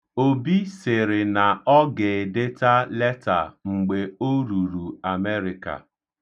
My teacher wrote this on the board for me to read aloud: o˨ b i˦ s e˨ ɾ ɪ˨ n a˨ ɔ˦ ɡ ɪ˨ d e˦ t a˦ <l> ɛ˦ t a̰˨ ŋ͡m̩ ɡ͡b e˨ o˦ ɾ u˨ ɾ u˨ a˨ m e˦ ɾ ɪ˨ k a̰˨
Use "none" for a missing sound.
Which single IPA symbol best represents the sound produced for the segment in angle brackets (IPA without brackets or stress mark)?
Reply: l